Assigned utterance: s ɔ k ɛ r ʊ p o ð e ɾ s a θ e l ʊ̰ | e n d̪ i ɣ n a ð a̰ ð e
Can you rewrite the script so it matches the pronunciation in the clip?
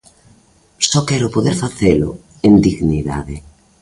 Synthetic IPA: s ɔ k ɛ ɾ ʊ p o ð e ɾ f a θ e l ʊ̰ | e n d̪ i ɣ n i ð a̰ ð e